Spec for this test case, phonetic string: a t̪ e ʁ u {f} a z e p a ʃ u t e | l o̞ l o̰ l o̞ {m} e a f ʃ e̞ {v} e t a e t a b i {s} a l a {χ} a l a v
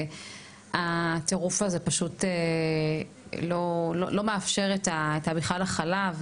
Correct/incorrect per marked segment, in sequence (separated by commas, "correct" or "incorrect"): correct, correct, incorrect, incorrect, correct